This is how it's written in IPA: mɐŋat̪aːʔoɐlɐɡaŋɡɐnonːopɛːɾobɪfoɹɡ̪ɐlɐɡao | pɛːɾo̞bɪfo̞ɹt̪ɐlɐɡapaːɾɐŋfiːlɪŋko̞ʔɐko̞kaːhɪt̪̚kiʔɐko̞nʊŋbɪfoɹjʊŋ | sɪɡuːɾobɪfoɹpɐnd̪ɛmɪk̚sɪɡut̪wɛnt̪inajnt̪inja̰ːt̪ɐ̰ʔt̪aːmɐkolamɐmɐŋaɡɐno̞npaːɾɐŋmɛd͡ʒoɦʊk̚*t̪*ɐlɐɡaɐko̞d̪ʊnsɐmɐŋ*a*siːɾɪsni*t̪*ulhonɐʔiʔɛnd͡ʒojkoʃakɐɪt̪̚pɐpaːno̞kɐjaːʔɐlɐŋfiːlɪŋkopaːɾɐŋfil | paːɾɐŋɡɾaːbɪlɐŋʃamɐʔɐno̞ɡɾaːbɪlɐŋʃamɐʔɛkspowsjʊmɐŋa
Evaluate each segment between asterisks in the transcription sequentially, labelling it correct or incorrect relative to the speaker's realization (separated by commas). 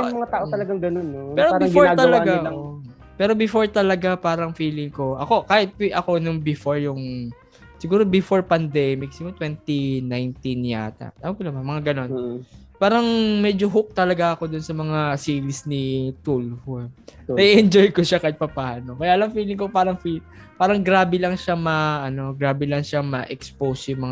correct, correct, correct